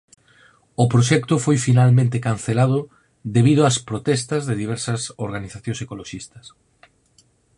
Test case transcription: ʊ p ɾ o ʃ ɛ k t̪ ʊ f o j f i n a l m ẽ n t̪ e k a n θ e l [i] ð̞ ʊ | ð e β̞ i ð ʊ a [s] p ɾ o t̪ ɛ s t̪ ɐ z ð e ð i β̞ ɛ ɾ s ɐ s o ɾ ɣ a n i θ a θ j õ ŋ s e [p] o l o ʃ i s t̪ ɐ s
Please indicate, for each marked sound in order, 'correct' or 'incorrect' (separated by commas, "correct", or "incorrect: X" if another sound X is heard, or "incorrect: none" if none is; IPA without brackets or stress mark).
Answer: incorrect: a, correct, incorrect: k